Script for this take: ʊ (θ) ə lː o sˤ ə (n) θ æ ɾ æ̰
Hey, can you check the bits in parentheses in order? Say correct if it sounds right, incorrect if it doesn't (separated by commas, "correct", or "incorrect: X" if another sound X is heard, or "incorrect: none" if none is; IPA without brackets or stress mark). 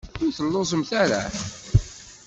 correct, incorrect: m